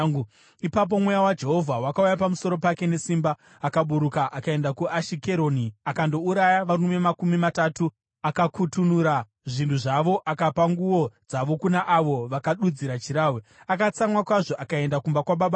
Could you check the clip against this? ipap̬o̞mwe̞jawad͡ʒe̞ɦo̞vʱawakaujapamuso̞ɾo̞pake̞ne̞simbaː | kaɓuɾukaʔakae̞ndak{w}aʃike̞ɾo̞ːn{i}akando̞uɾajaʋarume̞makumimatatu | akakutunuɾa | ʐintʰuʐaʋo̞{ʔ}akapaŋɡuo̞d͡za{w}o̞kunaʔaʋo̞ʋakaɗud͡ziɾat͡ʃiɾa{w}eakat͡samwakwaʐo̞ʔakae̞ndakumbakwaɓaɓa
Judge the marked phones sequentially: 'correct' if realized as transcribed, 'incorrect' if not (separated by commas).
incorrect, correct, correct, incorrect, correct